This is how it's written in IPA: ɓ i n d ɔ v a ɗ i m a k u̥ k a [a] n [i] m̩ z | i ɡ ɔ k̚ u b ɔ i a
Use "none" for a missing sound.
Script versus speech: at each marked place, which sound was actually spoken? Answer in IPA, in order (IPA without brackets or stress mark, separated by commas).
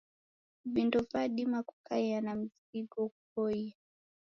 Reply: a, a